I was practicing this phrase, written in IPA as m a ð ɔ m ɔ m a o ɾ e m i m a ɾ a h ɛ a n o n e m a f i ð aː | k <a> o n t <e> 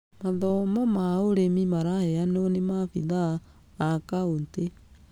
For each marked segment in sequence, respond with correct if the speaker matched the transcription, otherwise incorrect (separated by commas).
correct, correct